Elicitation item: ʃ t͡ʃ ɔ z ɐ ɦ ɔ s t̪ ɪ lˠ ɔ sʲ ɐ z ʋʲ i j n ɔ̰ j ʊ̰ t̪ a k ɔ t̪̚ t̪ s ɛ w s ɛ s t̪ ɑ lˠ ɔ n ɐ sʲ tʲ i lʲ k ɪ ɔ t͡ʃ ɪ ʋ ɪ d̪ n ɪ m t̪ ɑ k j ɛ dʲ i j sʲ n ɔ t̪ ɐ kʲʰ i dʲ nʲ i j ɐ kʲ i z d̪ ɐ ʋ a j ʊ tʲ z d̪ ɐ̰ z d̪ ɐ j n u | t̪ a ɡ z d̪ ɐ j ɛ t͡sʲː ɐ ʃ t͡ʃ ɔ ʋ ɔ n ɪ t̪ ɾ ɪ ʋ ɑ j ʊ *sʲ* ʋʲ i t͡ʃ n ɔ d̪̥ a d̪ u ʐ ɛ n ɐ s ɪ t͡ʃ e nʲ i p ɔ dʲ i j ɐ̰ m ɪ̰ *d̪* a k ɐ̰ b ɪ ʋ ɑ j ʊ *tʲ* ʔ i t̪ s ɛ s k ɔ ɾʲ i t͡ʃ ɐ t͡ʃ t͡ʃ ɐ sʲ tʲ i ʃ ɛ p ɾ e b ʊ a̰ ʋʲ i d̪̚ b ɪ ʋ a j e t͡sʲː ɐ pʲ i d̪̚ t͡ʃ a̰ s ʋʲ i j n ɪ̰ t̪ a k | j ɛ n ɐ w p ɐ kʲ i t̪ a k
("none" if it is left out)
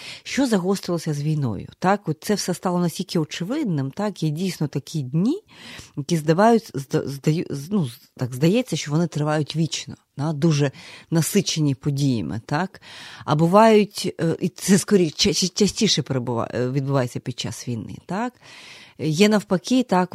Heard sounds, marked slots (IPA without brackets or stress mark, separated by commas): tʲ, t̪, tʲ